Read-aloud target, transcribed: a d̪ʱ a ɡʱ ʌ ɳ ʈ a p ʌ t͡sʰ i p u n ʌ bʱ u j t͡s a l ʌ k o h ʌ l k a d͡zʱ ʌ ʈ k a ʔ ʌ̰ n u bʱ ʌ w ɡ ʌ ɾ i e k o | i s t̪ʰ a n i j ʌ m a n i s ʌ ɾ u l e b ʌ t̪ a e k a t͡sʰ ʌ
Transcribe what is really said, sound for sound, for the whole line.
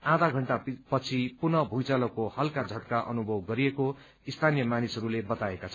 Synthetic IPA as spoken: a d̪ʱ a ɡʱ ʌ ɳ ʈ a p ʌ t͡sʰ i p u n ʌ bʱ u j t͡s a l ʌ k o h ʌ l k a d͡zʱ ʌ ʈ k a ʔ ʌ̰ n u bʱ ʌ w ɡ ʌ ɾ i e k o | i s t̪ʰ a n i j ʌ m a n i s ʌ ɾ u l e b ʌ t̪ a e k a t͡sʰ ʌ